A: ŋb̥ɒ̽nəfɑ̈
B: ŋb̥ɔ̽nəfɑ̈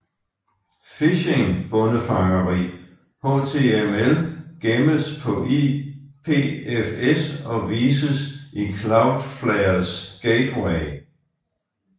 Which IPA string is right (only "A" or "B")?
B